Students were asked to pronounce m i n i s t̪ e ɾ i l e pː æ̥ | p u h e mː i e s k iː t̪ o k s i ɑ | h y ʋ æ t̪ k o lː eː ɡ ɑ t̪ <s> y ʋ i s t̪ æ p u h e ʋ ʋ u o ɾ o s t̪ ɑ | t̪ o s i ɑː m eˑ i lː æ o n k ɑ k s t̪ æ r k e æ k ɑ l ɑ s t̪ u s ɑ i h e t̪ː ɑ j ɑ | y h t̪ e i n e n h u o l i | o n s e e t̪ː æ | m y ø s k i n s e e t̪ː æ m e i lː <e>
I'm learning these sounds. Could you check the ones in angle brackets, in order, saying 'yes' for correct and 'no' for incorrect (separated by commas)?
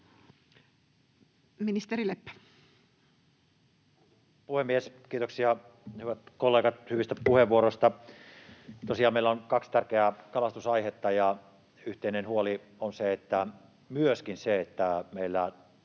no, no